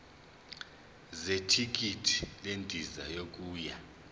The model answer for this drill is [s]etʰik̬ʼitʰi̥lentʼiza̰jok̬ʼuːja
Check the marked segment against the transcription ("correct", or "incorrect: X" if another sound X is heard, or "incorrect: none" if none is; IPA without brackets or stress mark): incorrect: z